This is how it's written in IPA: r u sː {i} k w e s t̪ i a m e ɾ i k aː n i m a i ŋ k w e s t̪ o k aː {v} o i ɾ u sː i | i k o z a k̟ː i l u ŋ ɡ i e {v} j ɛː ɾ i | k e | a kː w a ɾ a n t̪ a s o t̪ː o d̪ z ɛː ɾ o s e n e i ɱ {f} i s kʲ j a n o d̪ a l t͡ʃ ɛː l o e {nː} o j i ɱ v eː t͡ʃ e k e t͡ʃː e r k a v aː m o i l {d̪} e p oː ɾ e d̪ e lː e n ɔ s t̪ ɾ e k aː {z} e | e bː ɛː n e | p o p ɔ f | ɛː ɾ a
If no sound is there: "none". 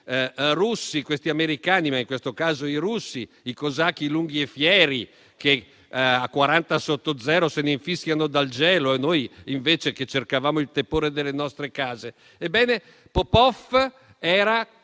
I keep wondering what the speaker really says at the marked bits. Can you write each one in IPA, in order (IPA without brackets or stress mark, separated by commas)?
i, z, f, f, n, t̪, z